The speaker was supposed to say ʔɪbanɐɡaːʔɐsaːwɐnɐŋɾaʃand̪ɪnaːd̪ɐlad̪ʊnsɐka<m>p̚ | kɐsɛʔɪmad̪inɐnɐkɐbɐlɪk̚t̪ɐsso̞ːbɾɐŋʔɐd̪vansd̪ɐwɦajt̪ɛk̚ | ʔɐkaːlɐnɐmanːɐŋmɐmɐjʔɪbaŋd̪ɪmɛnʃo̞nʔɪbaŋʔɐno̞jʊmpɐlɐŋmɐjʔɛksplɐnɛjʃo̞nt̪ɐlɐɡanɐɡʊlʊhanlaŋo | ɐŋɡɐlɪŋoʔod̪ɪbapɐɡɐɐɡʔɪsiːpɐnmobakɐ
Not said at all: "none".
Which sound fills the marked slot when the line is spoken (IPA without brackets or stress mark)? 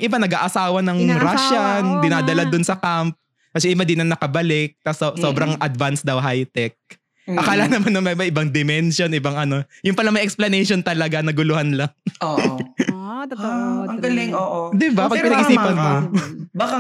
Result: m